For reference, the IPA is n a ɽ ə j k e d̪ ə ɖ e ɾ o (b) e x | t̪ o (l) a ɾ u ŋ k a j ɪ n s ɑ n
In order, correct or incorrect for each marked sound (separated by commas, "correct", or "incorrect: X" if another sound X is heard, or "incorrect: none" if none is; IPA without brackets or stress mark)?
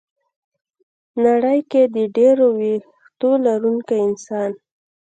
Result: incorrect: w, correct